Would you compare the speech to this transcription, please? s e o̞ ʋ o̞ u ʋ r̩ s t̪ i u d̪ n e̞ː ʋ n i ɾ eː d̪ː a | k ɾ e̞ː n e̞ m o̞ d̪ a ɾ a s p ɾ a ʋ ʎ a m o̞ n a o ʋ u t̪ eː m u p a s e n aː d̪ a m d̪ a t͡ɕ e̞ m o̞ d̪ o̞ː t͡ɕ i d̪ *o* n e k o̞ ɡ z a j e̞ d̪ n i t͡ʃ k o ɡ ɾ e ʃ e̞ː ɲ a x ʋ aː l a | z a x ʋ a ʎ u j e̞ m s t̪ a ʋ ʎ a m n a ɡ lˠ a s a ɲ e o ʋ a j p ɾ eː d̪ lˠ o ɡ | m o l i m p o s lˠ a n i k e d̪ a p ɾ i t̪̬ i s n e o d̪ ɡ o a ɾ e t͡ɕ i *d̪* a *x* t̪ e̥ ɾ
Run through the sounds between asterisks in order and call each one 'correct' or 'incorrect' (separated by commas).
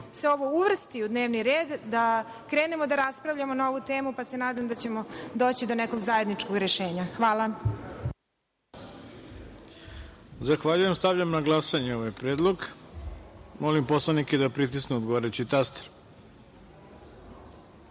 correct, incorrect, incorrect